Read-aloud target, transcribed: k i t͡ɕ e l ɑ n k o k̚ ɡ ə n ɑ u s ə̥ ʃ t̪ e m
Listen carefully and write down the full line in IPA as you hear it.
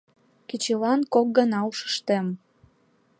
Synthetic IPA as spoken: k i t͡ɕ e l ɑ n k o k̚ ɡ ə n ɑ u ʃ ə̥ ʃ t̪ e m